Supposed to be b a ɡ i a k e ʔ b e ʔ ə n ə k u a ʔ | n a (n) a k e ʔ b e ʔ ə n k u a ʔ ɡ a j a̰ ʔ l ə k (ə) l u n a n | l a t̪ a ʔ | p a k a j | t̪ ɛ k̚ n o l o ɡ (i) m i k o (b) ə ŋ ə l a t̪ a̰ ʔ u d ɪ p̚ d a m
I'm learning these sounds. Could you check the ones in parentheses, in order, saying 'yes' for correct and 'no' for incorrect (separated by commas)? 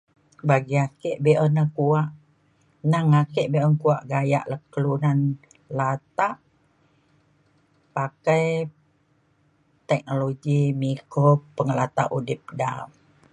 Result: no, yes, yes, no